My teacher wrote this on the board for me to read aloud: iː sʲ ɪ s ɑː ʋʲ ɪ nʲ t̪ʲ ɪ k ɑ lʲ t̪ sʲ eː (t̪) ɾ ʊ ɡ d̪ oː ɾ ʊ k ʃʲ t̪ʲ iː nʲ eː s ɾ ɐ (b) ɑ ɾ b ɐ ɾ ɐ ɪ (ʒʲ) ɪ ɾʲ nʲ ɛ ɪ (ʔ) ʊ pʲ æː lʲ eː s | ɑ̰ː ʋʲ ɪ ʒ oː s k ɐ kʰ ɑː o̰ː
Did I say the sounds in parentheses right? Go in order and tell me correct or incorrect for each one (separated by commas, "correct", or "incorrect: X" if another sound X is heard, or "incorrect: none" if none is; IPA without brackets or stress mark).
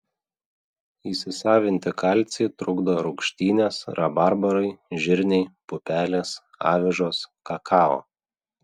correct, correct, correct, incorrect: p